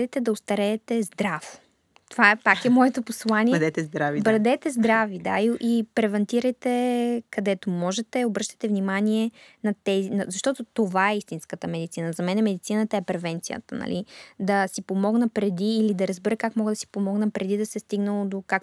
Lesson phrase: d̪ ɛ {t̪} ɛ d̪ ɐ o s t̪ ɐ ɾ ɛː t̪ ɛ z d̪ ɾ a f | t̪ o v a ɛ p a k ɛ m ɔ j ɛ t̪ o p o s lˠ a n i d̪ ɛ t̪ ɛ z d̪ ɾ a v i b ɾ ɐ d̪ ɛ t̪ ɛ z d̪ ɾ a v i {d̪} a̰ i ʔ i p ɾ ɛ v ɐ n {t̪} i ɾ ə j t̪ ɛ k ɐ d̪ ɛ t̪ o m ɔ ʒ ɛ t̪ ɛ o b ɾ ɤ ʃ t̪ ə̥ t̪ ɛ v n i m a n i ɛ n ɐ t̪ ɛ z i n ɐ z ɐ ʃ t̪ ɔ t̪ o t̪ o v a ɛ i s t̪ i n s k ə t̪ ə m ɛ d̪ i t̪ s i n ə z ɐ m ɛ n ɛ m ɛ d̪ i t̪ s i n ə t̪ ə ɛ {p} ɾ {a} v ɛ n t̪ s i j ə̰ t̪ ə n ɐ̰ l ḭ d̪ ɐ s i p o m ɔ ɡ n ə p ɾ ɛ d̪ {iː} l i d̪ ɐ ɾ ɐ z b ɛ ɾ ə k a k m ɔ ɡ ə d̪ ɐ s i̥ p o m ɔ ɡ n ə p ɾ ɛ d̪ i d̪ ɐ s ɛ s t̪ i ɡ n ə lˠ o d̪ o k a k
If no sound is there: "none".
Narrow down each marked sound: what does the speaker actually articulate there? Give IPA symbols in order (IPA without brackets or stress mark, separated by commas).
t̪, d̪, t̪, p, ɛ, iː